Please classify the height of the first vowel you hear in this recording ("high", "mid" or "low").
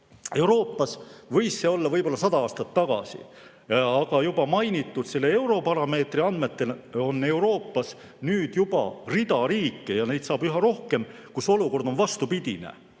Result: mid